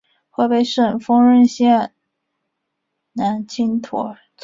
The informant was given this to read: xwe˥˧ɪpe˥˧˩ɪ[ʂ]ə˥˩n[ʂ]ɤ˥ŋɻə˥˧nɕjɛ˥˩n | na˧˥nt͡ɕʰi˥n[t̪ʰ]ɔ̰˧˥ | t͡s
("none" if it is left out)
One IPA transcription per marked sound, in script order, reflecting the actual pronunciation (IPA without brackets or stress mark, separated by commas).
ʂ, f, t̪ʰ